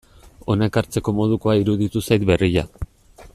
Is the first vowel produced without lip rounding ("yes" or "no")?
no